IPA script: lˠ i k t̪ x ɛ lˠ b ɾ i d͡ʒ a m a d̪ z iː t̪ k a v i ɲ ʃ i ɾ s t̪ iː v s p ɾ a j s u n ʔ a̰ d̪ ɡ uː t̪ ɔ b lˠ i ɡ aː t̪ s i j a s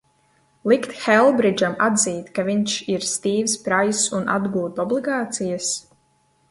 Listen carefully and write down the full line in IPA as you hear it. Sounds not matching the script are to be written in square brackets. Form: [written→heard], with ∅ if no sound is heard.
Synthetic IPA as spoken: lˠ i k t̪ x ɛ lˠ b ɾ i d͡ʒ a m a d̪ z iː t̪ k a v i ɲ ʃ i ɾ s t̪ iː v s p ɾ a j s u n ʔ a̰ d̪ ɡ uː t̪ ɔ b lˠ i ɡ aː t̪ s i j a s